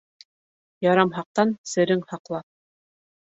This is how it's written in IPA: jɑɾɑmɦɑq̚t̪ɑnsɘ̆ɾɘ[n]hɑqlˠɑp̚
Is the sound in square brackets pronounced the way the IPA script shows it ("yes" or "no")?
no